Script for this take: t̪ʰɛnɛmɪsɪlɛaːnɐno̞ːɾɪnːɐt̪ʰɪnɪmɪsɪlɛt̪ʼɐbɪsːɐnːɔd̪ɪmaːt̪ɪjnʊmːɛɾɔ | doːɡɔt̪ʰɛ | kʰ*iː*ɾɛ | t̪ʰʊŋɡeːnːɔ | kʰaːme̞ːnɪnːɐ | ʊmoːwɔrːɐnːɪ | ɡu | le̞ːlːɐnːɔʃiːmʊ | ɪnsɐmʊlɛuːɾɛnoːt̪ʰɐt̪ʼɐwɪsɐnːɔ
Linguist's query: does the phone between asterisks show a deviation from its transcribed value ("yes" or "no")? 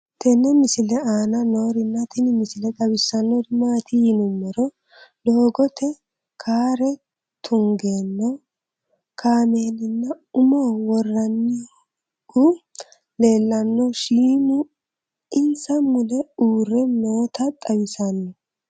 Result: yes